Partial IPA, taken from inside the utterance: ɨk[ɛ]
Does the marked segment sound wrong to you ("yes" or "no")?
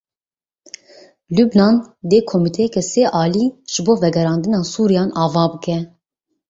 no